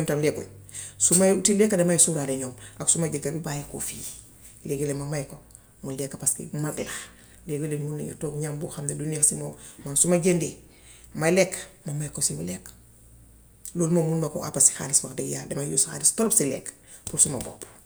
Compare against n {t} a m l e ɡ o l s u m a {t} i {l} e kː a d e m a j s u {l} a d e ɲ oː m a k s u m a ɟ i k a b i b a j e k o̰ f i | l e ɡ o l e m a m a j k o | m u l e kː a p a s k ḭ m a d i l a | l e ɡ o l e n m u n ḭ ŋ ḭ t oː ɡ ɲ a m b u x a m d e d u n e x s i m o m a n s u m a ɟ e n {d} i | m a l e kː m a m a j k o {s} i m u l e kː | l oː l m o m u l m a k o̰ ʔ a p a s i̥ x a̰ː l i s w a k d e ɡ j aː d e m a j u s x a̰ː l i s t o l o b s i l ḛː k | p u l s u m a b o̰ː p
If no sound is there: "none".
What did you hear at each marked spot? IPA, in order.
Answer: t, t, l, ɾ, d, s

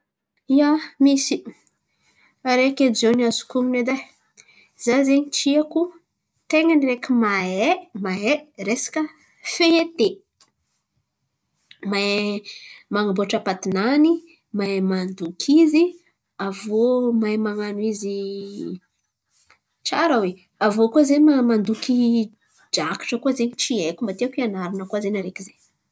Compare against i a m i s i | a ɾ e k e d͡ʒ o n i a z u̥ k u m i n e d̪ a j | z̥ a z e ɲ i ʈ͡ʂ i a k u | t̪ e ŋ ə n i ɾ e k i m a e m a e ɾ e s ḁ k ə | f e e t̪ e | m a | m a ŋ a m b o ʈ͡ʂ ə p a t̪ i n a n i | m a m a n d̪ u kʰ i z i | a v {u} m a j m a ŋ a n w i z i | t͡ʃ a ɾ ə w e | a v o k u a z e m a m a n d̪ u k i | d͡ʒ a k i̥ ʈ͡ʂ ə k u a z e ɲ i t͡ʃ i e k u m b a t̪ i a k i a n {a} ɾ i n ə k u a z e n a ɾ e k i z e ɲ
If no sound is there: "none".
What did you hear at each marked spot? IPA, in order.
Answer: o, a

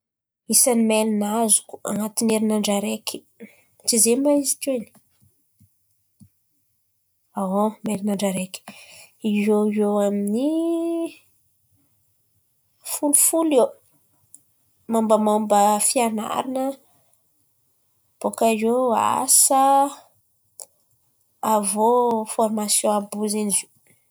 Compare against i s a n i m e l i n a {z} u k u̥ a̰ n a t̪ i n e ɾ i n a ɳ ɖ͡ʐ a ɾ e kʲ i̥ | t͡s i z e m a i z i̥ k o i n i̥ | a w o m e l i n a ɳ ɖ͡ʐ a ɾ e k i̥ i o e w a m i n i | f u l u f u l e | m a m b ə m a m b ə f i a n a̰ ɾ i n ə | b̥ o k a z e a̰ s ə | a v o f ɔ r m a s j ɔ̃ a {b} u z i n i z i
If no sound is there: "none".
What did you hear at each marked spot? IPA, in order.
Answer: z, b

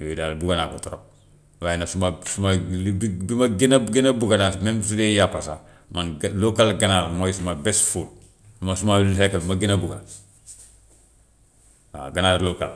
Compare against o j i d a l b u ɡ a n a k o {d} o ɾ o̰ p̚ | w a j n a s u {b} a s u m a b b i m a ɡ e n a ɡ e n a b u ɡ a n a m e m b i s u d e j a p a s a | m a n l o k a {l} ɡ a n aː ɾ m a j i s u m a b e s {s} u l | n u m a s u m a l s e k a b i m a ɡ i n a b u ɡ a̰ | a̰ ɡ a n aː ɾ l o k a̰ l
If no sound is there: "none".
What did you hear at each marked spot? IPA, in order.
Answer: t, m, l, f

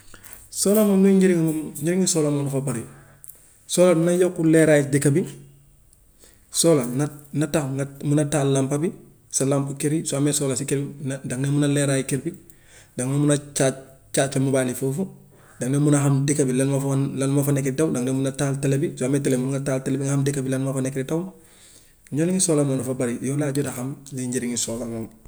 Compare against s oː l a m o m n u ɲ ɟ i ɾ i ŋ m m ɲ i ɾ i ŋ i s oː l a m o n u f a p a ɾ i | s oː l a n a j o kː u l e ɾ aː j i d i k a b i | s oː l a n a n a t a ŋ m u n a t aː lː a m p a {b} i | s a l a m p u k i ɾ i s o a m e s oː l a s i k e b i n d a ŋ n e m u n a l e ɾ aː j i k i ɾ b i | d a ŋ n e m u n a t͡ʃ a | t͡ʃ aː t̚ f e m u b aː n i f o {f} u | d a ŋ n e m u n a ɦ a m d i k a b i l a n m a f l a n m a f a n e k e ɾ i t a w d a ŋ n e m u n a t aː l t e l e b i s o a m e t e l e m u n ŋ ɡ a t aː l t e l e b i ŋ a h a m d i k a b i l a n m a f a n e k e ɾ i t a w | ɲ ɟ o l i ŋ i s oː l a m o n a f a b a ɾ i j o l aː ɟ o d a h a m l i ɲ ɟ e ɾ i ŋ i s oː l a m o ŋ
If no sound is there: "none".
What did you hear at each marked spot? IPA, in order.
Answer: b, f

